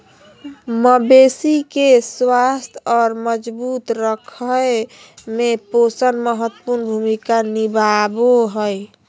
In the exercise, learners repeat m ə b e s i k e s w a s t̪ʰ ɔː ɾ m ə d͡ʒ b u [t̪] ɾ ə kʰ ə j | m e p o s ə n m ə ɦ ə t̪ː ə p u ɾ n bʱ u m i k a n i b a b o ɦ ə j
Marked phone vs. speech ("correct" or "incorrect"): correct